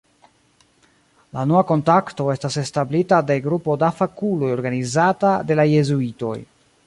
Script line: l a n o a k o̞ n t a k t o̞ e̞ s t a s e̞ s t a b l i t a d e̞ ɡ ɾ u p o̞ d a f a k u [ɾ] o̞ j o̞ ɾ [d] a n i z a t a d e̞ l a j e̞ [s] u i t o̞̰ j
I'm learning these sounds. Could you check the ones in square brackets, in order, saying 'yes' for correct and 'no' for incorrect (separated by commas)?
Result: no, no, no